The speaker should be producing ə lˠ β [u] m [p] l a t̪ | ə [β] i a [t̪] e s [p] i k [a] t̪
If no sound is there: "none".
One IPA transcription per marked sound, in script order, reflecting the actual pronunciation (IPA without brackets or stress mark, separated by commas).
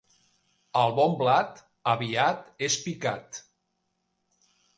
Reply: ɔ, b, β, t̪, p, a